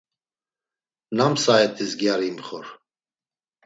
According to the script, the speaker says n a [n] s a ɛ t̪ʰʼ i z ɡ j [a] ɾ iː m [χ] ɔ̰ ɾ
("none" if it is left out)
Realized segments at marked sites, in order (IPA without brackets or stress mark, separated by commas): m, a, χ